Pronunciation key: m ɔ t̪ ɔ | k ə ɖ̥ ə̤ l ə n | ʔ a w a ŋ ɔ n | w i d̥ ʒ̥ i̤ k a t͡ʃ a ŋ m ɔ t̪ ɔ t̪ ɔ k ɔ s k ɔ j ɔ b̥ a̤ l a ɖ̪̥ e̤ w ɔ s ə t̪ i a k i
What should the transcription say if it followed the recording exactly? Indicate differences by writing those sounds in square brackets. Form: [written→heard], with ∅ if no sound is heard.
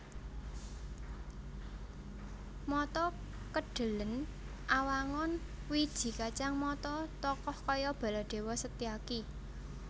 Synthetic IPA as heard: m ɔ t̪ ɔ | k ə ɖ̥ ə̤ l ə n | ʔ a w a ŋ ɔ n | w i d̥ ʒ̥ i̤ k a t͡ʃ a ŋ m ɔ t̪ ɔ t̪ ɔ k ɔ [s→h] k ɔ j ɔ b̥ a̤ l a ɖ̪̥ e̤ w ɔ s ə t̪ i a k i